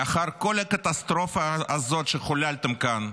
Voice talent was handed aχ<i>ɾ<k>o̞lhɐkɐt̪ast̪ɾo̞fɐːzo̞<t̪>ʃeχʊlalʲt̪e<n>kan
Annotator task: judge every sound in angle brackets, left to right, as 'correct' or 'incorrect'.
incorrect, correct, correct, incorrect

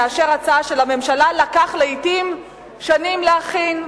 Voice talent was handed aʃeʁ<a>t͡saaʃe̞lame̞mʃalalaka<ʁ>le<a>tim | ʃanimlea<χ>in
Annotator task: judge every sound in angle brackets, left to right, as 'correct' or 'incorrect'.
correct, incorrect, incorrect, correct

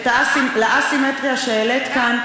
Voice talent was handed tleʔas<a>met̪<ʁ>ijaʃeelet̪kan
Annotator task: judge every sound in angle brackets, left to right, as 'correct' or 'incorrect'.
incorrect, correct

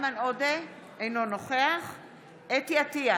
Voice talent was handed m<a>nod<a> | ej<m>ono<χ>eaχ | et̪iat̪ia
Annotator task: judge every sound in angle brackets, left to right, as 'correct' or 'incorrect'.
correct, incorrect, incorrect, correct

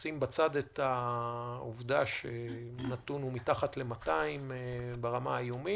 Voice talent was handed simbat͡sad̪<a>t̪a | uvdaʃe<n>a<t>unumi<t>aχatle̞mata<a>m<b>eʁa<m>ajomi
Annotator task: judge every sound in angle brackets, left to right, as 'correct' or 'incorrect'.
incorrect, correct, correct, correct, incorrect, correct, correct

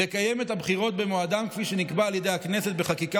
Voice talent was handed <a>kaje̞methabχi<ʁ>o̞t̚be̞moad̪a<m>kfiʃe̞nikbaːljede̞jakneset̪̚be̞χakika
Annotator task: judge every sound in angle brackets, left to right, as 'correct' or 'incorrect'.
incorrect, correct, correct

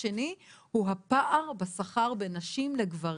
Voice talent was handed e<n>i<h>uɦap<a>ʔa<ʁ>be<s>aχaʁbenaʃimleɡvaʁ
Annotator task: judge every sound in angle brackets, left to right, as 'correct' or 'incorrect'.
correct, correct, correct, correct, correct

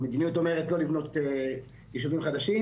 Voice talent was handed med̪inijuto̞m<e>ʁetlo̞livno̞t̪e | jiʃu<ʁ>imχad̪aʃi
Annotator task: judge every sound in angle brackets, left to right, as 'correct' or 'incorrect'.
correct, incorrect

